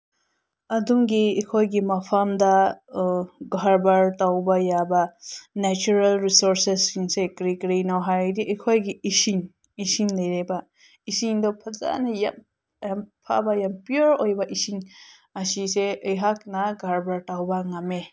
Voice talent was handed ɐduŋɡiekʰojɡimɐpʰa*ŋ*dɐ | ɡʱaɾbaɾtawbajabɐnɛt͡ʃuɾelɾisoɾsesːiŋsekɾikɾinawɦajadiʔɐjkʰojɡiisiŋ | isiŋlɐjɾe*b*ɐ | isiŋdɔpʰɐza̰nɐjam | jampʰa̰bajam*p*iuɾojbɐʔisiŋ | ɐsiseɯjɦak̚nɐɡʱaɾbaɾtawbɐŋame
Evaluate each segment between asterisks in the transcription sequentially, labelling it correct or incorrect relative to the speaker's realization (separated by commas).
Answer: incorrect, correct, correct